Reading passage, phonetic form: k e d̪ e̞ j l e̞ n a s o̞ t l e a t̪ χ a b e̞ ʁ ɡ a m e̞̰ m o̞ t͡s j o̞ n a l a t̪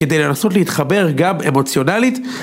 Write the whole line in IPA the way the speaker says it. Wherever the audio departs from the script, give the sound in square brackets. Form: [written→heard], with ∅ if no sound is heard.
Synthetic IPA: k e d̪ e̞ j l e̞ n a s o̞ t l e [a→i] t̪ χ a b e̞ ʁ ɡ a m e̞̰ m o̞ t͡s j o̞ n a l [a→i] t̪